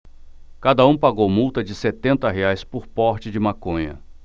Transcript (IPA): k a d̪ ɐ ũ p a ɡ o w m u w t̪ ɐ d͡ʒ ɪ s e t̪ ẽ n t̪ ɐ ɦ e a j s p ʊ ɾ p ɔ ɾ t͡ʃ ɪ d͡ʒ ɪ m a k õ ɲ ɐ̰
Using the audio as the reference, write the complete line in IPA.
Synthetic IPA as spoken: k a d̪ ɐ ũ p a ɡ o w m u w t̪ ɐ d͡ʒ ɪ s e t̪ ẽ n t̪ ɐ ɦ e a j s p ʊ ɾ p ɔ ɾ t͡ʃ ɪ d͡ʒ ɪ m a k õ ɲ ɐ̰